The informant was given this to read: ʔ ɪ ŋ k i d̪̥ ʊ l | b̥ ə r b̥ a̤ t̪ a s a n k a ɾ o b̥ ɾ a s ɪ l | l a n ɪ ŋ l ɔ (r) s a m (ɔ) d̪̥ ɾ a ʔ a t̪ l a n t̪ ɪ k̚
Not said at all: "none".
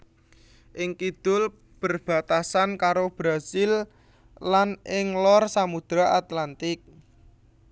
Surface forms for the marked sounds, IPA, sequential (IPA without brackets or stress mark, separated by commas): r, u